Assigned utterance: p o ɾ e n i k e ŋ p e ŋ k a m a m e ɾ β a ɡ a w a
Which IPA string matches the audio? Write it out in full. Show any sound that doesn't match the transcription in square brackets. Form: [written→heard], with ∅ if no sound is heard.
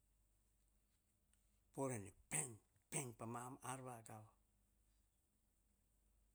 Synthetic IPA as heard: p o ɾ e n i [k→p] e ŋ p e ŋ [k→p] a m a m [e→a] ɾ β a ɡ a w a